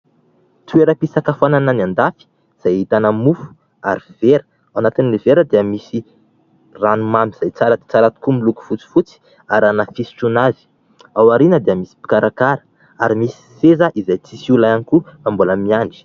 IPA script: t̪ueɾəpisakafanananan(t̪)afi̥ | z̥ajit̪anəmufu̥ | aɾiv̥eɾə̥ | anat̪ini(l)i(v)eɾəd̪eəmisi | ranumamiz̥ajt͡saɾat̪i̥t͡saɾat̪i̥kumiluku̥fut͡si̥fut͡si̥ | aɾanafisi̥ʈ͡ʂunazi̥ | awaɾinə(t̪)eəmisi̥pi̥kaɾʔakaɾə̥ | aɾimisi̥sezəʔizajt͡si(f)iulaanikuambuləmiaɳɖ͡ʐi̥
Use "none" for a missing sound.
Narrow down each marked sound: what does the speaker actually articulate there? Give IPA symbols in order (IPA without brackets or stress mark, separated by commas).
d̪, l, v, d̪, s